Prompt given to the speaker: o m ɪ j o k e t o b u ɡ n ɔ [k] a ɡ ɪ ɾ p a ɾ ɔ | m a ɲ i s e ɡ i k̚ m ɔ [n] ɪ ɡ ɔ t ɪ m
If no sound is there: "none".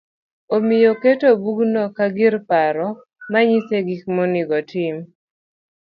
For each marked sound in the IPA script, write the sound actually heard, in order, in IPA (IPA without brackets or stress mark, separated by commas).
k, n